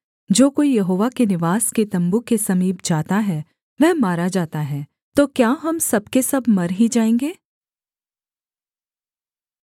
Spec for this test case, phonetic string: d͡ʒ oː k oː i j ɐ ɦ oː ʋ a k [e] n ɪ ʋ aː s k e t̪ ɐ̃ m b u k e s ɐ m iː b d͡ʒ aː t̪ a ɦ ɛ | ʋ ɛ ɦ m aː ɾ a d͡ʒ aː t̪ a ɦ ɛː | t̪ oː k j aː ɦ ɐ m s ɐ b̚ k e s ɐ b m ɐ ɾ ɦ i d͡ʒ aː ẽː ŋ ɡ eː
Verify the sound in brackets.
correct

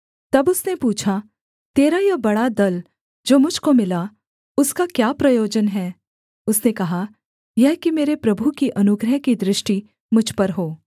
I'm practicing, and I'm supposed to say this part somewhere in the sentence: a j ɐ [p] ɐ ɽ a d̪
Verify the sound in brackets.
incorrect: b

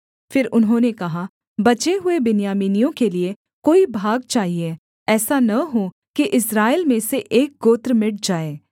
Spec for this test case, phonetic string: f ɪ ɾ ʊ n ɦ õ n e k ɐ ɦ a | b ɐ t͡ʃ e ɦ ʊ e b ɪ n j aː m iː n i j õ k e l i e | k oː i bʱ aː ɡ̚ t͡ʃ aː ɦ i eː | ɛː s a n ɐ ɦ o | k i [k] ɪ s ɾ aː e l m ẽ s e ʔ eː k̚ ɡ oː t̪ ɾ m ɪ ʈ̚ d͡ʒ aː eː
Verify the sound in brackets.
incorrect: ʔ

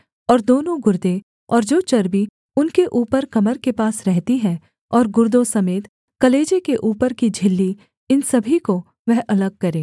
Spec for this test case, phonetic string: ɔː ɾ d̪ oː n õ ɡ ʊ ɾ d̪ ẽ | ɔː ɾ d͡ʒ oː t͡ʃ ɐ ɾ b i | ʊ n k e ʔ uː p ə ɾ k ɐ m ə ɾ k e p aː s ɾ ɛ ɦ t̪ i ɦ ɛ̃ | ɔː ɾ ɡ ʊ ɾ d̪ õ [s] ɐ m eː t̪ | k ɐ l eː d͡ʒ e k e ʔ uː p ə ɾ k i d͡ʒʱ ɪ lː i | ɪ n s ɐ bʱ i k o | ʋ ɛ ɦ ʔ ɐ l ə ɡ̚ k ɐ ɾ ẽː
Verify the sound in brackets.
correct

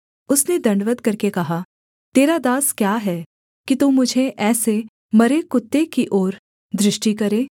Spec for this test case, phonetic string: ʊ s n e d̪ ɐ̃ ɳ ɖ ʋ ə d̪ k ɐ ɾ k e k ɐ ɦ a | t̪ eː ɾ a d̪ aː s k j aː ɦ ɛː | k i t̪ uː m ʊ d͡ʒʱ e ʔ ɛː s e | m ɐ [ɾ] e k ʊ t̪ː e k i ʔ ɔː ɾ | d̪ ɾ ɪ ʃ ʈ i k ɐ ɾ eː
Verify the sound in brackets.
correct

